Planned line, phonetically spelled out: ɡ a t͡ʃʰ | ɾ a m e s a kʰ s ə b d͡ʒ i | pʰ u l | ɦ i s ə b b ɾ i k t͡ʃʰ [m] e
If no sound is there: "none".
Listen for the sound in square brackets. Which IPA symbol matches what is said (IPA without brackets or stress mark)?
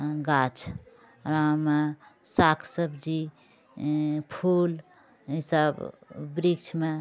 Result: m